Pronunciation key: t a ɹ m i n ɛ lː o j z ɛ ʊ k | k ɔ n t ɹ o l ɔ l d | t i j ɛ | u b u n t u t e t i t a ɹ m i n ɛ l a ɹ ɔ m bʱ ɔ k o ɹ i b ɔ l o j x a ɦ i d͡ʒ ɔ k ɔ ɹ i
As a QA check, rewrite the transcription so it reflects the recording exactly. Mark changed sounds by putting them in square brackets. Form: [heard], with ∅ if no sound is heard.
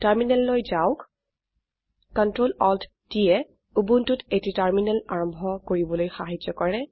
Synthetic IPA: t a ɹ m i n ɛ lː o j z [a] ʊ k | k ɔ n t ɹ o l ɔ l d | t i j ɛ | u b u n t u t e t i t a ɹ m i n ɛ l a ɹ ɔ m bʱ ɔ k o ɹ i b ɔ l o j x a ɦ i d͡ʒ ɔ k ɔ ɹ [ɛ]